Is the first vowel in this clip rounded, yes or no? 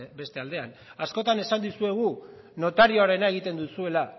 no